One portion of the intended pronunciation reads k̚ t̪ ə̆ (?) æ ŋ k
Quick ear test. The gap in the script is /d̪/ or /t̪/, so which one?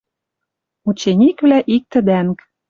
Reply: d̪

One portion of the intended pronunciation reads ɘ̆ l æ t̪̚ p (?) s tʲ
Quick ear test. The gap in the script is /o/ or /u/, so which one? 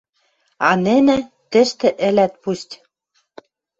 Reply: u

